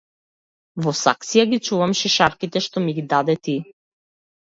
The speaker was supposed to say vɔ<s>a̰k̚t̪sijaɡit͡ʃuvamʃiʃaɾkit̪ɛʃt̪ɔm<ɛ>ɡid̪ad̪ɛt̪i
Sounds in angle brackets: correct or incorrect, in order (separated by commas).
correct, incorrect